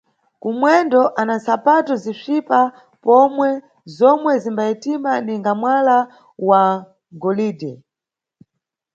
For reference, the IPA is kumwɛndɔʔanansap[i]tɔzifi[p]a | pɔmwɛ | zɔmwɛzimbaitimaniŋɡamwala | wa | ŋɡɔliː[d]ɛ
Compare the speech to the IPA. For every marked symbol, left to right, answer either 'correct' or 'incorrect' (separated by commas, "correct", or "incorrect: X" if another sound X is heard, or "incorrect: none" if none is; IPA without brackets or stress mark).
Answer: incorrect: a, correct, correct